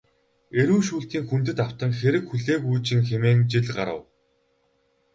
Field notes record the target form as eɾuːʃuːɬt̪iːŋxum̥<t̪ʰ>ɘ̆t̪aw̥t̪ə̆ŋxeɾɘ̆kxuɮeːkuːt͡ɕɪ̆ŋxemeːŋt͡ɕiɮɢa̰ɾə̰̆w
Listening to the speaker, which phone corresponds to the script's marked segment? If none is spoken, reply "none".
t̪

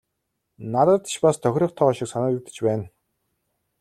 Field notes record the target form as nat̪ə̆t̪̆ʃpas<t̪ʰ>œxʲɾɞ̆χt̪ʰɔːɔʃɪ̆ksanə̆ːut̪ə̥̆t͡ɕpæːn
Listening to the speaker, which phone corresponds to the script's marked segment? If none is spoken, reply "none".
t̪ʰ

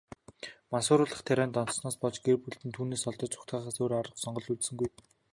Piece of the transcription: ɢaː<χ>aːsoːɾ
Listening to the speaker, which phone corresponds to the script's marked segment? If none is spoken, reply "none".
χ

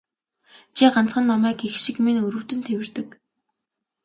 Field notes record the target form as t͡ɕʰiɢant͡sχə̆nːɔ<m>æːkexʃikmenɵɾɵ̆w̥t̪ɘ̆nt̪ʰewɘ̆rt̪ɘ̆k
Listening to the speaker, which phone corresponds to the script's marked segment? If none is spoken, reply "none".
m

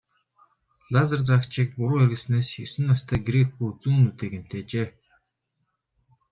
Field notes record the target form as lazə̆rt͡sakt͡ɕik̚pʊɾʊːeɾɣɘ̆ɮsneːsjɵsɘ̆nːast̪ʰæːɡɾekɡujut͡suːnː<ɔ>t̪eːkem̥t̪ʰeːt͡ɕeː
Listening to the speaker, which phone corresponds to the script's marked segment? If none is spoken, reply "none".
u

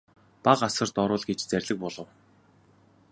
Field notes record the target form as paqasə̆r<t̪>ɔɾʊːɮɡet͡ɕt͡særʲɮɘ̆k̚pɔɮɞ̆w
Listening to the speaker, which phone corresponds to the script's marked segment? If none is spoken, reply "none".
t̪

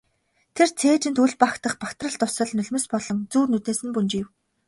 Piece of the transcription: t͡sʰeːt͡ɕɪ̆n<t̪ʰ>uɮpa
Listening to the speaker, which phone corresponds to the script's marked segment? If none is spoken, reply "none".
t̪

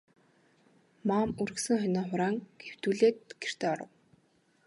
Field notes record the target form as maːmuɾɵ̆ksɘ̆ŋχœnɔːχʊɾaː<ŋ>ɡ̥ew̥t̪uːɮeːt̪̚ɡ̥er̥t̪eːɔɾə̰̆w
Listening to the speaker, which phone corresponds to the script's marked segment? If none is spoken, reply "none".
ŋ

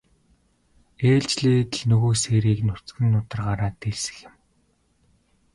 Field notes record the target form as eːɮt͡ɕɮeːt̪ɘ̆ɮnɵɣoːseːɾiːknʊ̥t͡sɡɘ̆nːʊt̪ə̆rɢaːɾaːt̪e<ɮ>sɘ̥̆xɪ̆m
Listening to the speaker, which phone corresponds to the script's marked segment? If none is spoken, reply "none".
ɮ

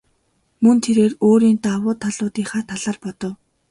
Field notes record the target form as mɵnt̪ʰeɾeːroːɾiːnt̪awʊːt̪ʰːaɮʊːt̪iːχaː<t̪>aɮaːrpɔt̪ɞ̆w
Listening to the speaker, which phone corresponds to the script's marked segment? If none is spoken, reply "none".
t̪ʰ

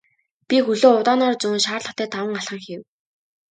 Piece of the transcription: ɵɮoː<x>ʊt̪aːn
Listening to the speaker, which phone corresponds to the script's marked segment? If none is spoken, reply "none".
none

